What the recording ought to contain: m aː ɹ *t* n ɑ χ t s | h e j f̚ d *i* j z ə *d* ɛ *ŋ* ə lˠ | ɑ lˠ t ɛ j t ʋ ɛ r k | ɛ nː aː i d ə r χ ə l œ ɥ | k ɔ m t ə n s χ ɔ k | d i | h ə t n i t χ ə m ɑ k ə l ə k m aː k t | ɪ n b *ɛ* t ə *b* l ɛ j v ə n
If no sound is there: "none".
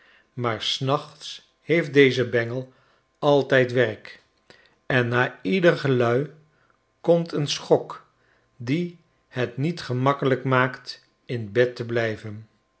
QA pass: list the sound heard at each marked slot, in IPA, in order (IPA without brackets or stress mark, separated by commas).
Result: s, e, b, ŋ, ɛ, b